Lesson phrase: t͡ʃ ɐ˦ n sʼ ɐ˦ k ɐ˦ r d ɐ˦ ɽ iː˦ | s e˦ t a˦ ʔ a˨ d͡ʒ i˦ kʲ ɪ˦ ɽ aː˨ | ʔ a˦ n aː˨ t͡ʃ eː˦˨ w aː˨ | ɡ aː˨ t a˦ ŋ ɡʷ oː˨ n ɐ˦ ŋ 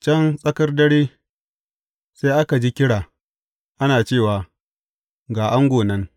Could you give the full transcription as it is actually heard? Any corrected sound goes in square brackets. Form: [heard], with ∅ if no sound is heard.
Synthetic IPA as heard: t͡ʃ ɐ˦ n sʼ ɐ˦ k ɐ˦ r d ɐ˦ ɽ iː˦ | s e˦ [ʔ] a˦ [k] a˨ d͡ʒ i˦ kʲ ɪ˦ ɽ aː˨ | ʔ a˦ n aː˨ t͡ʃ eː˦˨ w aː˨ | ɡ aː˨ [ʔ] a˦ ŋ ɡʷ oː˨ n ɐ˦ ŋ